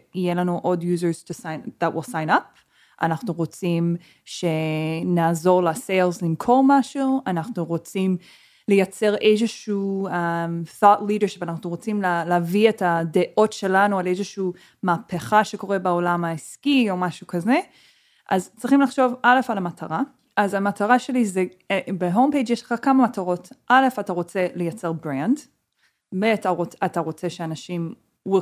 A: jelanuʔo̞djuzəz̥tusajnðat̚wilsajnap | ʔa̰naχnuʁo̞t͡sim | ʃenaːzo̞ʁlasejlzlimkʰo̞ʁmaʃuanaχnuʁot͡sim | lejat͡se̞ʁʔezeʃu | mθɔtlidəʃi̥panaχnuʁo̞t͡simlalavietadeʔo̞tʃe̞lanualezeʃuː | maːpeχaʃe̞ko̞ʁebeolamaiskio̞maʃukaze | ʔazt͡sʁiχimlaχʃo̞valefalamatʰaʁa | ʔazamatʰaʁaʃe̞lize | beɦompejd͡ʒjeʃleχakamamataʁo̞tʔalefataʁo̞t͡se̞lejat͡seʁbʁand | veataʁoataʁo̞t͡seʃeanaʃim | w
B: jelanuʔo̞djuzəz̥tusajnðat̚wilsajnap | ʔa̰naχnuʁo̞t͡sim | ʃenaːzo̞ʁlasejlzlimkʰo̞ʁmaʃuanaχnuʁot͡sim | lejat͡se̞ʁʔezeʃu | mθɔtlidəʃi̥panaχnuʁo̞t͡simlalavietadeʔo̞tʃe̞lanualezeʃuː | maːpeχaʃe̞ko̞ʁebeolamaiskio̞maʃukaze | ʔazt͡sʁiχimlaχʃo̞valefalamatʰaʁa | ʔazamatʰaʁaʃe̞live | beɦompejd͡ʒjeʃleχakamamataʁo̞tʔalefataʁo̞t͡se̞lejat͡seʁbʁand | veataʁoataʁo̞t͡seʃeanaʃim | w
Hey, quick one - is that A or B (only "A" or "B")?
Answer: A